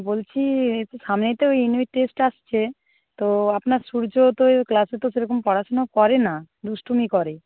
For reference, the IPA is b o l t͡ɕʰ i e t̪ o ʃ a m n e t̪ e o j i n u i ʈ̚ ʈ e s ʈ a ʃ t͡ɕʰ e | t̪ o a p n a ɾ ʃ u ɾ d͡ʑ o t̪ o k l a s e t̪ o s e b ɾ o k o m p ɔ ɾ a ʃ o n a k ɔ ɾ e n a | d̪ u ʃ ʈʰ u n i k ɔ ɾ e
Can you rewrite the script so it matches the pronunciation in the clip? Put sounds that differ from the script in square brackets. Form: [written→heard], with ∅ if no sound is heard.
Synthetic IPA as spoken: b o l t͡ɕʰ i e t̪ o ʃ a m n e t̪ e o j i n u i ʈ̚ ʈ e s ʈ a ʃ t͡ɕʰ e | t̪ o a p n a ɾ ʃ u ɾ d͡ʑ o t̪ o k l a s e t̪ o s e [b→∅] ɾ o k o m p ɔ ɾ a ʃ o n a k ɔ ɾ e n a | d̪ u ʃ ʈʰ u [n→m] i k ɔ ɾ e